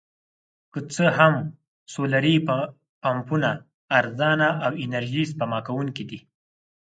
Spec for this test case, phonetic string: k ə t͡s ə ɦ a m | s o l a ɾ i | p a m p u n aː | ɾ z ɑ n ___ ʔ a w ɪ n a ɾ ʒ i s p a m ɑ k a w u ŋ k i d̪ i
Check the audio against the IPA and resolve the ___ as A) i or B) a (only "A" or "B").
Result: B